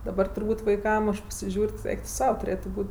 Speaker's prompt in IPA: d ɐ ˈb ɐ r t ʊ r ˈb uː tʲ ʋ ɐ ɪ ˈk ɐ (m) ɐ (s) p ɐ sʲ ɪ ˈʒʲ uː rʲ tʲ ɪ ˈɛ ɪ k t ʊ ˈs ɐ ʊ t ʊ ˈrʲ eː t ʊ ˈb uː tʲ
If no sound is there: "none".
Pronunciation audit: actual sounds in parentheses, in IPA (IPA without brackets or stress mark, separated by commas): m, ʃ